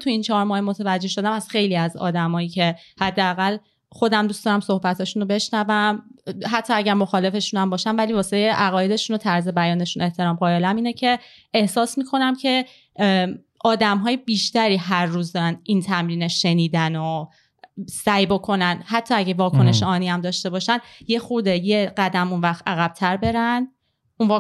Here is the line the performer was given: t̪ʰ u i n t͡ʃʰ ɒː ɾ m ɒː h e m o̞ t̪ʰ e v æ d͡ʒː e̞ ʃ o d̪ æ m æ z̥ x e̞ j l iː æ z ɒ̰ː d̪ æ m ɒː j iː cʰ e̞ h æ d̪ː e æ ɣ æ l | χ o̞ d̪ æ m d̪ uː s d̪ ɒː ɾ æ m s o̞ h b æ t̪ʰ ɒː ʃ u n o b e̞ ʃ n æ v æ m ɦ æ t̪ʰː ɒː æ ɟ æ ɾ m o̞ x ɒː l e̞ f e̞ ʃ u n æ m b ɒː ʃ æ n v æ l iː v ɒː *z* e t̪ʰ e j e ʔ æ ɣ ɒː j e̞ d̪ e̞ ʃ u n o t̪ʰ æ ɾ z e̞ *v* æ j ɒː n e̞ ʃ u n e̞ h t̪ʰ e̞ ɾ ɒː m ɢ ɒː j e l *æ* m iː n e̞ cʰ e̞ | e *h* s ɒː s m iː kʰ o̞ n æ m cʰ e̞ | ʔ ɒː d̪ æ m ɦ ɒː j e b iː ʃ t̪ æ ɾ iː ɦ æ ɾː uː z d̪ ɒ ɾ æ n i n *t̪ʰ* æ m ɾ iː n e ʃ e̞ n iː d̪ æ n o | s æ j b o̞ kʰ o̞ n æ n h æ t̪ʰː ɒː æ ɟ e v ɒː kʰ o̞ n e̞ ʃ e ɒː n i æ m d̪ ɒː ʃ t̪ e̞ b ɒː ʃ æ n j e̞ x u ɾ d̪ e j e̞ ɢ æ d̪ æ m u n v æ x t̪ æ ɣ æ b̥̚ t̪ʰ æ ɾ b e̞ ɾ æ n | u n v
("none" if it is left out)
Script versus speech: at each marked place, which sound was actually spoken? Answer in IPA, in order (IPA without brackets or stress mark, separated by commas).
s, b, æ, h, t̪ʰ